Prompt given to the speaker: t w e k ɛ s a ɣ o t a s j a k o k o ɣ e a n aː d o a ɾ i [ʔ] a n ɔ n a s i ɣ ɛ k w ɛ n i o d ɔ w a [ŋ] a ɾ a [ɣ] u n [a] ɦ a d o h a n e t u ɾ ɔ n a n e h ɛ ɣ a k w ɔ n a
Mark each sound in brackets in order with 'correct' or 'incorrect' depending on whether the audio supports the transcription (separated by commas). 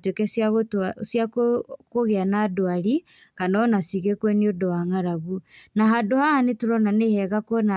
incorrect, correct, correct, correct